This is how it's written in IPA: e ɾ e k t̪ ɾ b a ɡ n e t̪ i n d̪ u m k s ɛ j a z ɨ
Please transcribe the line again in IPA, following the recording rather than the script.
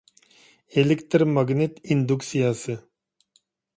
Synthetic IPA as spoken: e l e k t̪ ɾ m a ɡ n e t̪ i n d̪ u k s i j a s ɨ